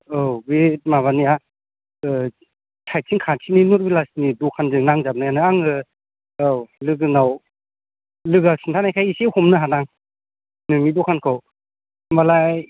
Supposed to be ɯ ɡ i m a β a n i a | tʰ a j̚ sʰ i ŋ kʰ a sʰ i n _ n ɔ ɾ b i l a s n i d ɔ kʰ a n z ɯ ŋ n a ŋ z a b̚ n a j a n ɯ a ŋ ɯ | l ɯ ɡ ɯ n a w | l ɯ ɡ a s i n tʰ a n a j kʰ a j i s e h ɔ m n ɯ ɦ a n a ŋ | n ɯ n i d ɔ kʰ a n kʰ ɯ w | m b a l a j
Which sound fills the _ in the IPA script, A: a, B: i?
B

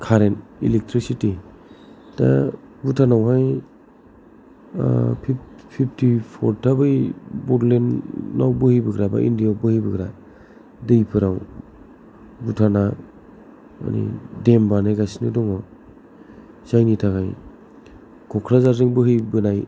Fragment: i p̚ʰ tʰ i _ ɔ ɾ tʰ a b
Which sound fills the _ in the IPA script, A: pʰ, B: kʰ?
A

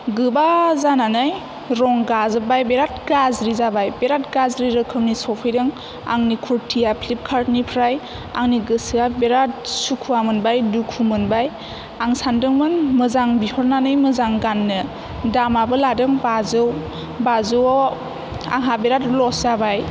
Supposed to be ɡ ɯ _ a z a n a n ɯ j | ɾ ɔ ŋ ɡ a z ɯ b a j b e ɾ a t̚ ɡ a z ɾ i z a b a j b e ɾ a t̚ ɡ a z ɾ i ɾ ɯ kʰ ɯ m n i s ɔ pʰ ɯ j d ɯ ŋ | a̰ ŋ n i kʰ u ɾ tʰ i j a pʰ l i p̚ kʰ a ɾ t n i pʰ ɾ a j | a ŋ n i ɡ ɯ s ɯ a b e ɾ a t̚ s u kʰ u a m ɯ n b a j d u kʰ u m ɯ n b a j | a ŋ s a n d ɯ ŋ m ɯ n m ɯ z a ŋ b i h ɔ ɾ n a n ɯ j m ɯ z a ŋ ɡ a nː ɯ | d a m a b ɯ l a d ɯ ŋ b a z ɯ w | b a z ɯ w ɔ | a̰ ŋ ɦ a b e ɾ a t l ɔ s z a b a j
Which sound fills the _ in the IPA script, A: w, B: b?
B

